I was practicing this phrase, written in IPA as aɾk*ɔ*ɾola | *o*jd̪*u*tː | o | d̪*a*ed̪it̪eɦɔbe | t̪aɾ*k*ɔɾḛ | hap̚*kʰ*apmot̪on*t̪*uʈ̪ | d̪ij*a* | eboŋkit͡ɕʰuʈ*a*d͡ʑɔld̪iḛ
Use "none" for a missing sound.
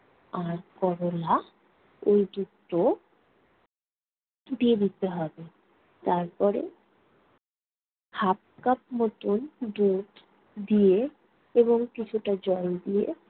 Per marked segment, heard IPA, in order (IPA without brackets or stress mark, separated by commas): ɔ, o, u, i, p, k, d̪, e, a